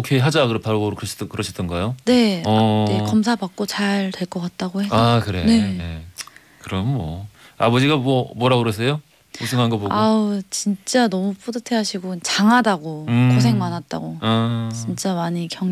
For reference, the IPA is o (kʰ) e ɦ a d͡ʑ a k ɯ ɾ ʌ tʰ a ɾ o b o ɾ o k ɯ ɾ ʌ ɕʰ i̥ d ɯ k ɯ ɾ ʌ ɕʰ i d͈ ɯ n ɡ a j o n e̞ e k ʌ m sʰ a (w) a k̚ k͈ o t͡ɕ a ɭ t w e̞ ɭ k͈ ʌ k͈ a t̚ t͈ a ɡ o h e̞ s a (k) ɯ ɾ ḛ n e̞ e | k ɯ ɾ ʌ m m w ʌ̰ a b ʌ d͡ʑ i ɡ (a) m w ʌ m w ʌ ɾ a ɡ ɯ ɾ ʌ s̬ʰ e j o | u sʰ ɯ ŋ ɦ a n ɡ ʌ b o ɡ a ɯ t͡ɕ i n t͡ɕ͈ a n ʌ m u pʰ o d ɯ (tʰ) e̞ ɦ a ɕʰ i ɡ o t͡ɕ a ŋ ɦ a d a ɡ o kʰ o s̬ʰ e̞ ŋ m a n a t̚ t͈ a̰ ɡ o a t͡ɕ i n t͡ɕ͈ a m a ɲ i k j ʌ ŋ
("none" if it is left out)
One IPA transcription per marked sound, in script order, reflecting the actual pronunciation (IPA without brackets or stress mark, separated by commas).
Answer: kʰ, b, k, a, tʰ